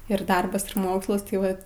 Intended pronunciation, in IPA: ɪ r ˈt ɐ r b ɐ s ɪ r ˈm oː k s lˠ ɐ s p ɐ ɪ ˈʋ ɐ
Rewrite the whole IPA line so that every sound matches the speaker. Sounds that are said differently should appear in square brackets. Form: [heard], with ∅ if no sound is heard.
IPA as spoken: ɪ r [ˈd] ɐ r b ɐ s ɪ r ˈm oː k s lˠ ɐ s [t] ɐ ɪ ˈʋ ɐ